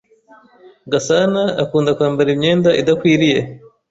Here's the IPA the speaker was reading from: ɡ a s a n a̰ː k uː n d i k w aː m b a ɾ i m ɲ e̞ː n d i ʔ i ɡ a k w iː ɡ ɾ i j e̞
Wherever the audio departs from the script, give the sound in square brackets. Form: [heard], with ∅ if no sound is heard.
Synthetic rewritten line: ɡ a s a n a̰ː k uː n d [a] k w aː m b a ɾ i m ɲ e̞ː n d [a] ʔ i [d] a k w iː [∅] ɾ i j e̞